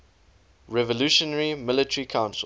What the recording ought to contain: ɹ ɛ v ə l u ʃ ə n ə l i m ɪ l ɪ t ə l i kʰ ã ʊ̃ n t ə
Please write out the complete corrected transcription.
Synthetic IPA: ɹ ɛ v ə l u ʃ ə n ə ɹ i m ɪ l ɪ t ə ɹ i kʰ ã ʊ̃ n s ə